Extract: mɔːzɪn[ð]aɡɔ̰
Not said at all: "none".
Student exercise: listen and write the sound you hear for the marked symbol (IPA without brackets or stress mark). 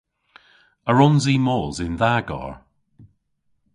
ð